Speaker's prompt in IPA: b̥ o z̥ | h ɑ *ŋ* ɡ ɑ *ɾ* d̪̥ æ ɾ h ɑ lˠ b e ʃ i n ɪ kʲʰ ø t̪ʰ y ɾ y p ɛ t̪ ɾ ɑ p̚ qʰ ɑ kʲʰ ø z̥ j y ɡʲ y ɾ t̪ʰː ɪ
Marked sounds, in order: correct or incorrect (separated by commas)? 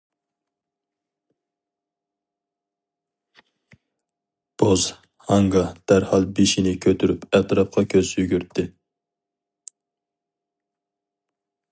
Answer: correct, incorrect